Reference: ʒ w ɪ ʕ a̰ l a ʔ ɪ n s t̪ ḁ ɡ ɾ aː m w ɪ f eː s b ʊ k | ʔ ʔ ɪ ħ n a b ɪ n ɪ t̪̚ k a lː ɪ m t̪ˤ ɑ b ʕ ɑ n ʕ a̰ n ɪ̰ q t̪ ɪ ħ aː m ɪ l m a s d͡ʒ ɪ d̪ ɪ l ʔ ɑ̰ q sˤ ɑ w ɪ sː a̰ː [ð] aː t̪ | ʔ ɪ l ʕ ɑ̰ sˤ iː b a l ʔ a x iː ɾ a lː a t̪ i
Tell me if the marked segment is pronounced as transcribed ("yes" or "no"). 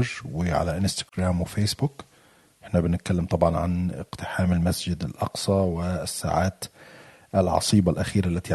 no